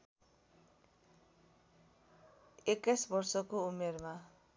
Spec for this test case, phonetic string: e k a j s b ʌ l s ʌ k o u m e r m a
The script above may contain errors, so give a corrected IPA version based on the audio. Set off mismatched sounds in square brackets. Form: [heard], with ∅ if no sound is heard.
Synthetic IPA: e k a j s b ʌ [r] s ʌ k o u m e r m a